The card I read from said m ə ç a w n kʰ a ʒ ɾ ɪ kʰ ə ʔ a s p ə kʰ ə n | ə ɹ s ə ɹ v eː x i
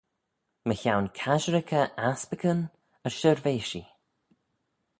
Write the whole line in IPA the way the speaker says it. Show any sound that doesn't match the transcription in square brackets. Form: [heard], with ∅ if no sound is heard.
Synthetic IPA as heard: m ə ç a w n kʰ a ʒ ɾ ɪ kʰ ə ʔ a s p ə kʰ ə n | ə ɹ [ʃ] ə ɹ v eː [ʃ] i